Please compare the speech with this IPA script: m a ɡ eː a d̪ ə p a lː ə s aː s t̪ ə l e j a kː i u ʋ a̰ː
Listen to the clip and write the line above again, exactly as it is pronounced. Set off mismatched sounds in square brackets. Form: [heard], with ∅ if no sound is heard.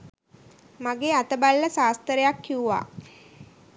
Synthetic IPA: m a ɡ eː a [t̪] ə [b] a lː ə s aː s t̪ ə [ɾ] e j a kː i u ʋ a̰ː